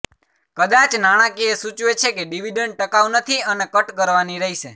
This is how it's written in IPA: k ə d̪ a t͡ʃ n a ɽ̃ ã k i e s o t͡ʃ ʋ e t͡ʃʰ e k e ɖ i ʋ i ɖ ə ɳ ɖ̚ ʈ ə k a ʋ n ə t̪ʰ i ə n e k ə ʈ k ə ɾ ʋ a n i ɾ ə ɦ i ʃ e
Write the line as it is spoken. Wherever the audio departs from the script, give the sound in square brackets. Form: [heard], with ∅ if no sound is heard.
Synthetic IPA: k ə d̪ a t͡ʃ n a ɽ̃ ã k i e s [u] t͡ʃ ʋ e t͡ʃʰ e k e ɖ i ʋ i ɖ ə ɳ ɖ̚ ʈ ə k a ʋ n ə t̪ʰ i ə n e k ə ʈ k ə ɾ ʋ a n i ɾ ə ɦ i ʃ e